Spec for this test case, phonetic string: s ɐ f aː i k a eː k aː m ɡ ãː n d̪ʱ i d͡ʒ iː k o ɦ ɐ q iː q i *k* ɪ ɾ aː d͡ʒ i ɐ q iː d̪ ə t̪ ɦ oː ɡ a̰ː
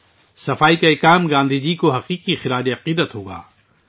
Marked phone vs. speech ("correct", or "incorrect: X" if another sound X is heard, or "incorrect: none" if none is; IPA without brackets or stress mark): incorrect: x